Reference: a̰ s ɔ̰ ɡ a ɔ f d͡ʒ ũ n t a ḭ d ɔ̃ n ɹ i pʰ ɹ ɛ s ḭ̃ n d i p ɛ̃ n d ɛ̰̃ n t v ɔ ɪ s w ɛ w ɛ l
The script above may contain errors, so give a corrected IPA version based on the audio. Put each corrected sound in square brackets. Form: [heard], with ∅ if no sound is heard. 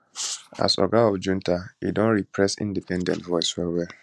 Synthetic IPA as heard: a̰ s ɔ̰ ɡ a ɔ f d͡ʒ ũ n t a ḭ d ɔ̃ n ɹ i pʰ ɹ ɛ s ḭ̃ n d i p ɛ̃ n d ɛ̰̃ n t v ɔ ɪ s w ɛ w ɛ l